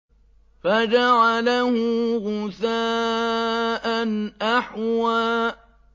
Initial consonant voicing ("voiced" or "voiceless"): voiceless